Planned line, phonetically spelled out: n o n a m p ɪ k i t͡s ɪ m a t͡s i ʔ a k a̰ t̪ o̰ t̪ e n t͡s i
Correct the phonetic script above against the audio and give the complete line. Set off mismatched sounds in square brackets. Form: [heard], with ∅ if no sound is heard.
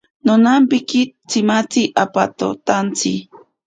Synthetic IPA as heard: n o n a m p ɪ k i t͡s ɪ m a t͡s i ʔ a [p] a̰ t̪ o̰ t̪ [a] n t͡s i